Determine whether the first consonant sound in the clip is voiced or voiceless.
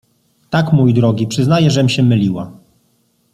voiceless